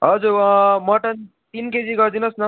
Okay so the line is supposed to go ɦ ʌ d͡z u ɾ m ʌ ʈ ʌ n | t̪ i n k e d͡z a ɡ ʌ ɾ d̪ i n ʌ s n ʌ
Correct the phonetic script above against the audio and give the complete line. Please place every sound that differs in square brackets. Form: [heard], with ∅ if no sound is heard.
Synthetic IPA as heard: ɦ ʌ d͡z u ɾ m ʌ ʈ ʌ n | t̪ i n k e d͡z [i] ɡ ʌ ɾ d̪ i n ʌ s n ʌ